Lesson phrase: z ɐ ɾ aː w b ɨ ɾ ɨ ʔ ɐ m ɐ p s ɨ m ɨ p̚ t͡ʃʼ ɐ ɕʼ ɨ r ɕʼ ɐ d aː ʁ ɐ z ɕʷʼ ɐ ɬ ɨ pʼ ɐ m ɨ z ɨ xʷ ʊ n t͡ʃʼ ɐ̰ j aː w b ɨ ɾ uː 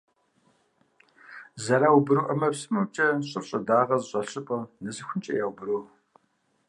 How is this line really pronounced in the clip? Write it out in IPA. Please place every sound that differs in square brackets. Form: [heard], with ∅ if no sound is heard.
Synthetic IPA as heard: z ɐ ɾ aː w b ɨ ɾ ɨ ʔ ɐ m ɐ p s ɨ m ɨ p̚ t͡ʃʼ ɐ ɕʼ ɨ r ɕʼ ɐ d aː ʁ ɐ z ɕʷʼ ɐ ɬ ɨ pʼ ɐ [n] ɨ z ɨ xʷ ʊ n t͡ʃʼ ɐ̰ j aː w b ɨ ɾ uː